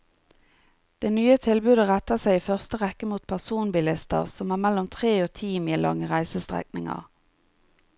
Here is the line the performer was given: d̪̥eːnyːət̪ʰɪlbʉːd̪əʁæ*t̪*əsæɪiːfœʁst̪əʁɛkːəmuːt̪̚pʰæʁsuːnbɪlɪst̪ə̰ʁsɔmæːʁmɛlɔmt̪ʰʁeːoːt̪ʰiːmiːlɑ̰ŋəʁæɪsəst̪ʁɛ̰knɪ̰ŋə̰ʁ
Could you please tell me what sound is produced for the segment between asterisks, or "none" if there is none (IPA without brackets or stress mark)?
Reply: t̪